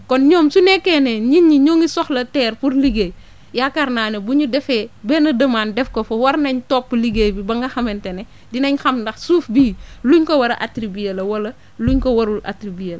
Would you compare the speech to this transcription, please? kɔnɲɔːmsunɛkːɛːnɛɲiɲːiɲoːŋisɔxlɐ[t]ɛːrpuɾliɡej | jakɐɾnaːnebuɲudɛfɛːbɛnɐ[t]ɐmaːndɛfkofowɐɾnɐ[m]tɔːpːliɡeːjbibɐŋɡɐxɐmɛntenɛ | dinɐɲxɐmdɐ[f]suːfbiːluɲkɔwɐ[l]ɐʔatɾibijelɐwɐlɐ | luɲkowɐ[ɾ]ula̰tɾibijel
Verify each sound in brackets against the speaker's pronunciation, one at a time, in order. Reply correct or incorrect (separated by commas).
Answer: correct, incorrect, incorrect, incorrect, incorrect, correct